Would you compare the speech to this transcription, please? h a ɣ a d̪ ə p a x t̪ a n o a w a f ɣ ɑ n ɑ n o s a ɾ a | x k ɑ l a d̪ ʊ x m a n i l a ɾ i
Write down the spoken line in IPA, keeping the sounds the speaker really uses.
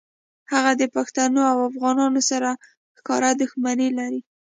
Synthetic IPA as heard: h a ɣ a d̪ ə p a x t̪ a n o a w a f ɣ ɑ n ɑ n o s a ɾ a | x k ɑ ɾ a d̪ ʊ x m a n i l a ɾ i